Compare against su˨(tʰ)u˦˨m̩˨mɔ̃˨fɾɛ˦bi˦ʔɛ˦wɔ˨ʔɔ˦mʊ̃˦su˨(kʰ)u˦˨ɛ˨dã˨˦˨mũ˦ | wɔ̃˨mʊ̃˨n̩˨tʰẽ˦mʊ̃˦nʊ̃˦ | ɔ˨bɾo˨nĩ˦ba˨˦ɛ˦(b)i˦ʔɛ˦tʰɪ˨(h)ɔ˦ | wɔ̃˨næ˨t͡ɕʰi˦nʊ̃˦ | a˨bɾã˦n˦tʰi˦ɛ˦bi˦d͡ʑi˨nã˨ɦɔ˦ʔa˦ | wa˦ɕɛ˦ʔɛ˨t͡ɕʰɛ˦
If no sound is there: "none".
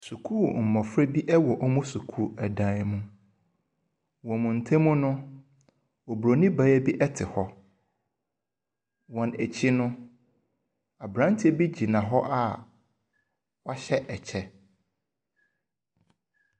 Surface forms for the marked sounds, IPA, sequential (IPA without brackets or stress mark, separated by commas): kʰ, kʰ, b, h